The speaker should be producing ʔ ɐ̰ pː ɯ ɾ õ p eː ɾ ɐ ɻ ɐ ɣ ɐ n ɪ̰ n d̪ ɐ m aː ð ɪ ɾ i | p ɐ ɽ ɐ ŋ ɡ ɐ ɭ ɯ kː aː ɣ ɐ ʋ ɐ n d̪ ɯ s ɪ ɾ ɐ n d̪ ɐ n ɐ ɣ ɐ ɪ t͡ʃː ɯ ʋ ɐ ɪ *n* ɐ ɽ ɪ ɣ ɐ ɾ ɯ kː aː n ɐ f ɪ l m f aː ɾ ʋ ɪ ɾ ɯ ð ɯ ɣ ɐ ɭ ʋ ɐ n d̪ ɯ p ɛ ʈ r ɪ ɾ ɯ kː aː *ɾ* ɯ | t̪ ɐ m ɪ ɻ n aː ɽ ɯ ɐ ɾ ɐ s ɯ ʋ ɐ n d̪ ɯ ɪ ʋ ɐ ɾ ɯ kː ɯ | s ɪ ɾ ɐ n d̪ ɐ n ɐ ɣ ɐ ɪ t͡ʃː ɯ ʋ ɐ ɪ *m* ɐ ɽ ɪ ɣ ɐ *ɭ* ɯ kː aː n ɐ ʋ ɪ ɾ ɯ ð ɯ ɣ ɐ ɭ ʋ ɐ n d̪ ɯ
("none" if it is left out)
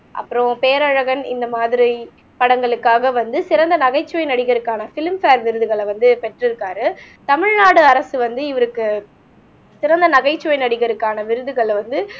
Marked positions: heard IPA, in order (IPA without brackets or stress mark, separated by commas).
n, ɾ, n, ɾ